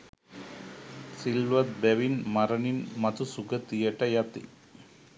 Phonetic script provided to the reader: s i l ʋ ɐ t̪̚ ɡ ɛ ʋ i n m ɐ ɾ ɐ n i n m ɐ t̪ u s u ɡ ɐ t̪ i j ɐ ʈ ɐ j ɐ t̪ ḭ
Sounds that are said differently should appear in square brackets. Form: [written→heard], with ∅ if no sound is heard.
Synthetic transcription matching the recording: s i l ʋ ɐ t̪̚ [ɡ→b] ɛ ʋ i n m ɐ ɾ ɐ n i n m ɐ t̪ u s u ɡ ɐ t̪ i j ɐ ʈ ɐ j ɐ t̪ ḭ